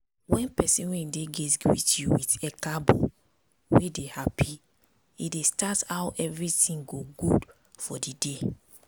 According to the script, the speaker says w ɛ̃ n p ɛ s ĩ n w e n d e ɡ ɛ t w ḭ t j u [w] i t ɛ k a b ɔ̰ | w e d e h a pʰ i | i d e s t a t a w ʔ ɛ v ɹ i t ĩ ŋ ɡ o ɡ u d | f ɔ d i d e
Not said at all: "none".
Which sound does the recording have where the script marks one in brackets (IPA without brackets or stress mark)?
w